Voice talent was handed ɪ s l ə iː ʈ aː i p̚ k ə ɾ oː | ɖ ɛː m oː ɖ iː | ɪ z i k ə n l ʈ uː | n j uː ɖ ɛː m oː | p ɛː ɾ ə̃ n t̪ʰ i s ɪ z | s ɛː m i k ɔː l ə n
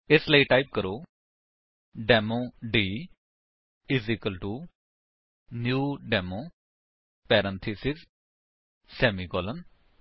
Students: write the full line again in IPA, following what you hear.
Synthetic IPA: ɪ s l ə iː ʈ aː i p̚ k ə ɾ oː | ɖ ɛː m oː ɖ iː | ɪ z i k ə l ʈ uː | n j uː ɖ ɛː m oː | p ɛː ɾ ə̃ n t̪ʰ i s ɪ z | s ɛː m i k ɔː l ə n